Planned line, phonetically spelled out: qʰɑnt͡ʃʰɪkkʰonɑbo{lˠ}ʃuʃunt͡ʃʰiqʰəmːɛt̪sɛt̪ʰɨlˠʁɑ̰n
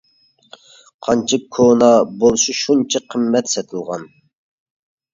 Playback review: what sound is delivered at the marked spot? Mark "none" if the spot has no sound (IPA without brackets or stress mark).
lˠ